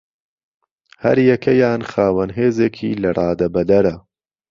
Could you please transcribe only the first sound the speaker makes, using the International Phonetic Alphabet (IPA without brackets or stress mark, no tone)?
h